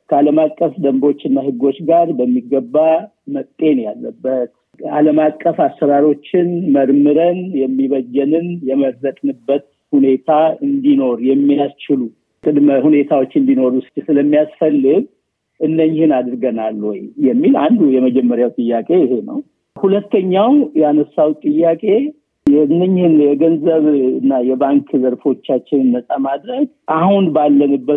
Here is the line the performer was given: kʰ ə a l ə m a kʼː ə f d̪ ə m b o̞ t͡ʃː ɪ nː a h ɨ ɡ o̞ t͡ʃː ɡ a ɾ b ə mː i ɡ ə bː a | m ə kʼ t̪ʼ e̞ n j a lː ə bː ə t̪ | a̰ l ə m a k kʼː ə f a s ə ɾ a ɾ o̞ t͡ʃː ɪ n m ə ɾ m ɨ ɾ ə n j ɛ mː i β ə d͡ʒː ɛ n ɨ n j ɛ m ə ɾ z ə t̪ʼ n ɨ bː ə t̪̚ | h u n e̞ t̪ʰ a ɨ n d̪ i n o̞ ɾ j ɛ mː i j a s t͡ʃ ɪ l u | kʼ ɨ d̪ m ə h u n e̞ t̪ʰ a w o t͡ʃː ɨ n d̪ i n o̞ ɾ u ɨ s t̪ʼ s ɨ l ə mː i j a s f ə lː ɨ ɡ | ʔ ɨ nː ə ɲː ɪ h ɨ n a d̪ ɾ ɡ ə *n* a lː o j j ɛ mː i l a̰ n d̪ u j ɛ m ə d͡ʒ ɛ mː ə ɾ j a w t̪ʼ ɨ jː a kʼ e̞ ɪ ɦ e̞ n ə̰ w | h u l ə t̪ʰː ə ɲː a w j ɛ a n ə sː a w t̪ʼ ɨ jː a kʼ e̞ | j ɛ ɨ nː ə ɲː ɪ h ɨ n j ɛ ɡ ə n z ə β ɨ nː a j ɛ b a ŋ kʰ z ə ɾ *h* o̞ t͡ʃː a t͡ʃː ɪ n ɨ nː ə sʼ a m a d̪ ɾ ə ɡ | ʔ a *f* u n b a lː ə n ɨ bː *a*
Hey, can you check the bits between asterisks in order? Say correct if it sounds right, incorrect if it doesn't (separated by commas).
correct, incorrect, incorrect, incorrect